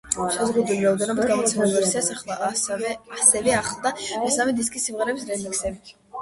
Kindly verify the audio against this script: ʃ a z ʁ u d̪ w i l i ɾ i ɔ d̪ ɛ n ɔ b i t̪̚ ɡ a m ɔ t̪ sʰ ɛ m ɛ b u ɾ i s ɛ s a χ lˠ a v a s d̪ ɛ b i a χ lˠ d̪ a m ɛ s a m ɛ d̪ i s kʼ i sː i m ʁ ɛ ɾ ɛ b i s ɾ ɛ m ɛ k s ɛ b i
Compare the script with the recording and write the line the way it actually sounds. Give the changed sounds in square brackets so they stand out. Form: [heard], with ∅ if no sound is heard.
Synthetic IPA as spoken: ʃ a z ʁ u d̪ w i l i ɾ [a] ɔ d̪ ɛ n ɔ b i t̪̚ ɡ a m ɔ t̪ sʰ ɛ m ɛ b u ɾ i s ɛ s a χ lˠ a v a s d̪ ɛ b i a χ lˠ d̪ a m ɛ s a m ɛ d̪ i s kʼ i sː i m ʁ ɛ ɾ ɛ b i s ɾ ɛ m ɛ k s ɛ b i